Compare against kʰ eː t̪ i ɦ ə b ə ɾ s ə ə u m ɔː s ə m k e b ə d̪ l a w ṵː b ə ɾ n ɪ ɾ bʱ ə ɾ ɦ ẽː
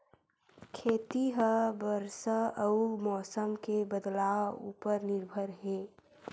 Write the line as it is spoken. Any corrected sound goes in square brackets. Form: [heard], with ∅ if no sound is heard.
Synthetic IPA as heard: kʰ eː t̪ i ɦ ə b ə ɾ s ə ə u m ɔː s ə m k e b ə d̪ l a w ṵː [p] ə ɾ n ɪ ɾ bʱ ə ɾ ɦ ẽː